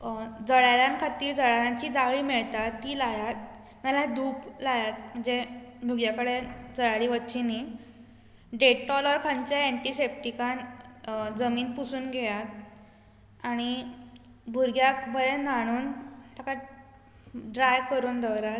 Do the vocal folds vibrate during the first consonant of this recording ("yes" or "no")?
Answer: yes